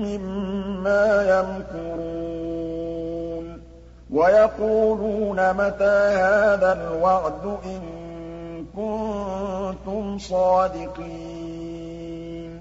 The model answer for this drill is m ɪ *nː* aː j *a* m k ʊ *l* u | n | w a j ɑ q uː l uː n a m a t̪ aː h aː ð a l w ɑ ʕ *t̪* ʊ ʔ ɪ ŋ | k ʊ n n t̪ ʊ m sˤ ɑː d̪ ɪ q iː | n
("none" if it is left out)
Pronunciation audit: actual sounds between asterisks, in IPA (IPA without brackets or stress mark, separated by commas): mː, a, ɾ, d̪